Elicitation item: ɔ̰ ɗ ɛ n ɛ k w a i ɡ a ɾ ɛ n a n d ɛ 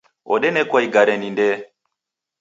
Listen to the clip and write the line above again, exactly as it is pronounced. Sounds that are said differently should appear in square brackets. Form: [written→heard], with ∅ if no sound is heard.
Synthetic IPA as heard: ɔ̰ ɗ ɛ n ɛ k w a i ɡ a ɾ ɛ n [a→i] n d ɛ